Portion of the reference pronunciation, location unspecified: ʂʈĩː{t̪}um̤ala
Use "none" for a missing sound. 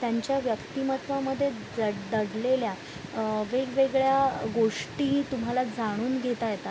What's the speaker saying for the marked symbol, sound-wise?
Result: t̪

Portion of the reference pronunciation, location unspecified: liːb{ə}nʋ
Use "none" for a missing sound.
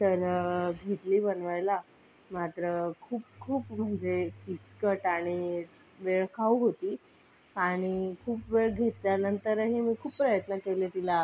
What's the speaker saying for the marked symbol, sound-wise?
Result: ə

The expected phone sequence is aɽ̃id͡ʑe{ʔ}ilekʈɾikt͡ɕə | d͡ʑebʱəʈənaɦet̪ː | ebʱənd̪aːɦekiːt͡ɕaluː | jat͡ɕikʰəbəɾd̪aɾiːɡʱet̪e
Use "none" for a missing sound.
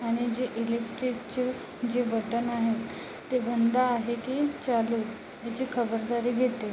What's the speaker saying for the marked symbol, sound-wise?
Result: ʔ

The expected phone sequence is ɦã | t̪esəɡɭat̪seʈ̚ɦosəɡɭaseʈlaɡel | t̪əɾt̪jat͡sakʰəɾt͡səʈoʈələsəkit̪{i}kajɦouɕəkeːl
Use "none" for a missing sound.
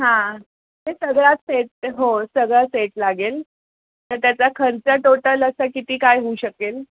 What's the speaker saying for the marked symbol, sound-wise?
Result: iː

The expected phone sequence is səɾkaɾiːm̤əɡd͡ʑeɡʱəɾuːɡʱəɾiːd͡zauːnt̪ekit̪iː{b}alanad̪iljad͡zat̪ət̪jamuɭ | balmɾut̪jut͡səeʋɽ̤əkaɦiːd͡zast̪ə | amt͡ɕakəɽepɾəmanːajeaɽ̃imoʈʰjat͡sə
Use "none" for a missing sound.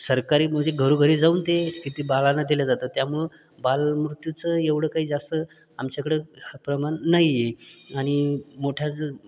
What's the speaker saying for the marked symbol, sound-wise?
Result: b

